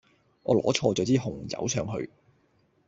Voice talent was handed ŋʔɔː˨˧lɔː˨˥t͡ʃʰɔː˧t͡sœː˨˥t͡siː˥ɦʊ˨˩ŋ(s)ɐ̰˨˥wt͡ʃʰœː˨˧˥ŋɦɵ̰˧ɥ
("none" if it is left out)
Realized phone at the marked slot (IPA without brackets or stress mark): t͡s